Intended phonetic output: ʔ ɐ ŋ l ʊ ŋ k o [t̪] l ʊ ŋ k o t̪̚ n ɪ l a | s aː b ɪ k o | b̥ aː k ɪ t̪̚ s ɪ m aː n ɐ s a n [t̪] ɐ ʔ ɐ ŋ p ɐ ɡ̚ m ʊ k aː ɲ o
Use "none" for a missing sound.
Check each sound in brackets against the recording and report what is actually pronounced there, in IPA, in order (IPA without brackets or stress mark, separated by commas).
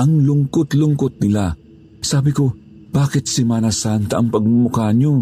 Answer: t̪, t̪